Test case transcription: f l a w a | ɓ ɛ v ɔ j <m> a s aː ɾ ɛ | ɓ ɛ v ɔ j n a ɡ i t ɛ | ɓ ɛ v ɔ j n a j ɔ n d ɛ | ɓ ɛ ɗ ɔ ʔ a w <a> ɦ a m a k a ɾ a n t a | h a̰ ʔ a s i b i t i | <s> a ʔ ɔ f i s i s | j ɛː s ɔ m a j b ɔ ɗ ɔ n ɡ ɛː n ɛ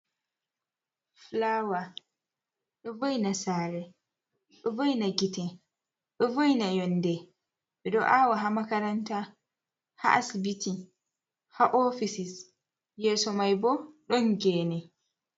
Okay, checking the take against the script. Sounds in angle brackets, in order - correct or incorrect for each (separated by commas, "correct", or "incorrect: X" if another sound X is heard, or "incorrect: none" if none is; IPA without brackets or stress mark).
incorrect: n, correct, incorrect: h